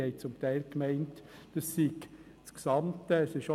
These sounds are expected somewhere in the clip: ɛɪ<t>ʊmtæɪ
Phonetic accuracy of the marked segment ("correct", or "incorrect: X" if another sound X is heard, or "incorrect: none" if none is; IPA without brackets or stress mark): incorrect: t͡s